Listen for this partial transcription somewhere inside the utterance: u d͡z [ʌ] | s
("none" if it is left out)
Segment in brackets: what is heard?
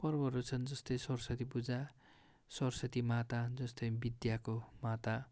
a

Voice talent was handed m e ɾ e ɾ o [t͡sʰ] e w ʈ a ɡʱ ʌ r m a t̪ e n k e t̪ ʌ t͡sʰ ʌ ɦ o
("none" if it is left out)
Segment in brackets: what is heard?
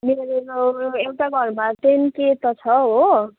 none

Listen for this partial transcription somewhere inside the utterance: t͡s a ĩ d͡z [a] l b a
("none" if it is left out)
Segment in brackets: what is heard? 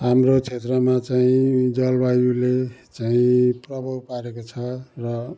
ʌ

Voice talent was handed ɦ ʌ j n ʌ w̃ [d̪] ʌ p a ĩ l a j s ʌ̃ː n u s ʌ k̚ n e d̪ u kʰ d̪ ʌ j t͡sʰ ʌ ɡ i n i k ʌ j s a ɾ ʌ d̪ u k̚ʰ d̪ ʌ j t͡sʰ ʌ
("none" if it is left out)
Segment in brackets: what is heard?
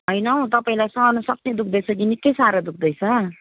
t̪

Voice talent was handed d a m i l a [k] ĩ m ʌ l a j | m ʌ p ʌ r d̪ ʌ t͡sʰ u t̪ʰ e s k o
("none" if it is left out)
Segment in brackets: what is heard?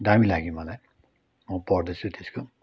ɡ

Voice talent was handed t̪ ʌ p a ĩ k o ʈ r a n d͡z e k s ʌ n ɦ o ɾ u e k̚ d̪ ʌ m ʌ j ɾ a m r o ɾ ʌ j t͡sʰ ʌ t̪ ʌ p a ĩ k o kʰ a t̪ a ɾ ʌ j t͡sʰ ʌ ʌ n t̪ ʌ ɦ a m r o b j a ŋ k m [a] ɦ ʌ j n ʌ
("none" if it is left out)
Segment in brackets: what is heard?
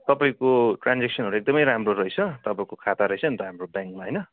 a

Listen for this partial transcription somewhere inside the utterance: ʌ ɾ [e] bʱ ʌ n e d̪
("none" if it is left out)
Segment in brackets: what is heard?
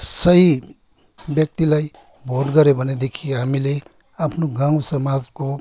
e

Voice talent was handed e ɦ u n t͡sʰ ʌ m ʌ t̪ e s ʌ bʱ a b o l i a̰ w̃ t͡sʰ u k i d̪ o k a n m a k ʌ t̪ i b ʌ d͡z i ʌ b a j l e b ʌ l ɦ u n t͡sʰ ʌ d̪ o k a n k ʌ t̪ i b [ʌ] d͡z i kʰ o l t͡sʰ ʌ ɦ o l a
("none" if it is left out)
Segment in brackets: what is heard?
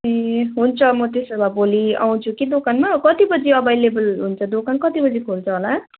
ʌ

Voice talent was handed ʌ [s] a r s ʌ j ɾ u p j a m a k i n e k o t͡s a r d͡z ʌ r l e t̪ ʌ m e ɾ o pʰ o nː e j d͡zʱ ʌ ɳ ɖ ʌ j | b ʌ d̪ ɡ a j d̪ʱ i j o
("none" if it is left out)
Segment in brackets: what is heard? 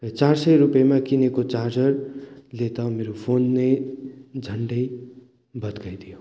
t͡s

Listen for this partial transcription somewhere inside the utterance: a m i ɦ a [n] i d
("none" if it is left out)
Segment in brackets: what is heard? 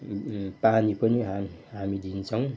m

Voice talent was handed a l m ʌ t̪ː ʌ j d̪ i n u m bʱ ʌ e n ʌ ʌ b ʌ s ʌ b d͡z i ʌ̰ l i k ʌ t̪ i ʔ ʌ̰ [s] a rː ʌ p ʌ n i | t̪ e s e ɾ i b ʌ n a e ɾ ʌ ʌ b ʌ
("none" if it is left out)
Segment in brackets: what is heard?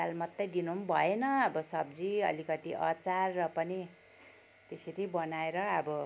t͡s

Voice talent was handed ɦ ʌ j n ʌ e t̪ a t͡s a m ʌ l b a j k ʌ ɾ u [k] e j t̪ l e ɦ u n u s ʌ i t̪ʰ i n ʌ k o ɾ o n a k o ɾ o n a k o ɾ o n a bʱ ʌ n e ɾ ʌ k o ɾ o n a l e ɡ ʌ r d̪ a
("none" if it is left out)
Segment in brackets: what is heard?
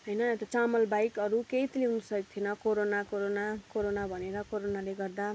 k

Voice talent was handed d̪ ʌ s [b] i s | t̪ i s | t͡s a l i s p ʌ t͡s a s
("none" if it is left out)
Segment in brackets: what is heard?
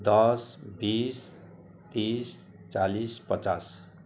b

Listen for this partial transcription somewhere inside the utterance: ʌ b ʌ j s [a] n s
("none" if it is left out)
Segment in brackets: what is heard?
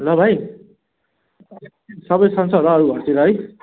ʌ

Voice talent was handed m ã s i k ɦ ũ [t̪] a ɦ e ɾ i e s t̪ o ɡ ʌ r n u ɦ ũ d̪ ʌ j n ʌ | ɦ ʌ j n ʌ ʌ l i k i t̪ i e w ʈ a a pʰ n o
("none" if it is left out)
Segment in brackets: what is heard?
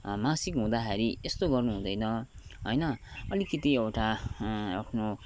d̪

